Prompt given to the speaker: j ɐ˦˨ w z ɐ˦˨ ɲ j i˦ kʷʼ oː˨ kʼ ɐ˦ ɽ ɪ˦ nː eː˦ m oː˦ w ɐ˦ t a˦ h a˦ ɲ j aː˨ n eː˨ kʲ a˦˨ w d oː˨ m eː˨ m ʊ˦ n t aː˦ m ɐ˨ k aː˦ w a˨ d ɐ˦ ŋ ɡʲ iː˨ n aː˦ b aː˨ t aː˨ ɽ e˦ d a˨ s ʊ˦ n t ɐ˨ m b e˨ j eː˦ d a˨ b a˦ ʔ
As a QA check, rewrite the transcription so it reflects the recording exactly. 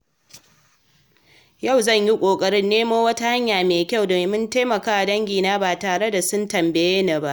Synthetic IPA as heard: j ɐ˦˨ w z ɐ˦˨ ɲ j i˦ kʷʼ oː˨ kʼ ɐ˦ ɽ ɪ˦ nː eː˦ m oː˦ w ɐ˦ t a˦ h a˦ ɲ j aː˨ m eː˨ kʲ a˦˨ w d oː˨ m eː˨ m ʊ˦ n t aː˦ m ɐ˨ k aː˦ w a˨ d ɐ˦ ŋ ɡʲ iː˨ n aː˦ b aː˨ t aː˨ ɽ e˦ d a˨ s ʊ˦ n t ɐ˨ m b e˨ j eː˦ n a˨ b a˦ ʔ